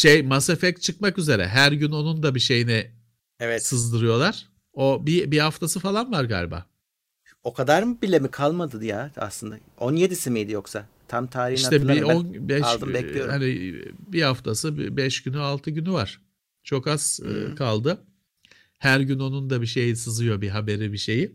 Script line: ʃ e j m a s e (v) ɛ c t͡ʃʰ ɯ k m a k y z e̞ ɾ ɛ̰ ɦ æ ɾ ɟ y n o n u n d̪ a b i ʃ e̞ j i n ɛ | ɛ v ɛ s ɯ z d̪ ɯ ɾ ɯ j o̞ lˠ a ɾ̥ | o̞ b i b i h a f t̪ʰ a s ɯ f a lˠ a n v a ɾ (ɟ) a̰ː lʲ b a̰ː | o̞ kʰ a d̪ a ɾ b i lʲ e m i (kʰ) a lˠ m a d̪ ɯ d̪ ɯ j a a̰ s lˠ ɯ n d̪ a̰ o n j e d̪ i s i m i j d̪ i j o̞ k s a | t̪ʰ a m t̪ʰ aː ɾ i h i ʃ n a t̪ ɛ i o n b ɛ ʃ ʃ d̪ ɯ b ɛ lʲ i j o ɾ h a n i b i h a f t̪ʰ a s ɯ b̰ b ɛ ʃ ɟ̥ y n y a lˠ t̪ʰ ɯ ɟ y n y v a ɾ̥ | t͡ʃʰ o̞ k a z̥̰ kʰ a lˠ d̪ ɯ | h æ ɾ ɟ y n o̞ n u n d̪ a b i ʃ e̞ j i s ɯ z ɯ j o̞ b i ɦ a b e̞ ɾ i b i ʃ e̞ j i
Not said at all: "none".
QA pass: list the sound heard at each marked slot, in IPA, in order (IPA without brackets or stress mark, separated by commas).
f, ɡ, kʰ